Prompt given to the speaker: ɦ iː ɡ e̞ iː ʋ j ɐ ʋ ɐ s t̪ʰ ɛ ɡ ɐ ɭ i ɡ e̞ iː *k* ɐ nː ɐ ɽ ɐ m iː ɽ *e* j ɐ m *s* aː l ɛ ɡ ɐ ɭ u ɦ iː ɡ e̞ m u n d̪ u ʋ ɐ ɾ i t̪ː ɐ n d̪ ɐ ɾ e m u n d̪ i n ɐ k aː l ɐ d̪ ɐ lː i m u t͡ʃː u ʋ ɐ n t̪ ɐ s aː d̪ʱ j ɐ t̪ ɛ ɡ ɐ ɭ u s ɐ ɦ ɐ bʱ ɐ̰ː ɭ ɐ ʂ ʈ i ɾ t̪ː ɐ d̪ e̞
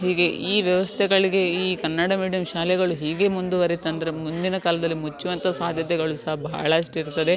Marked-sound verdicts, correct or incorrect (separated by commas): correct, incorrect, incorrect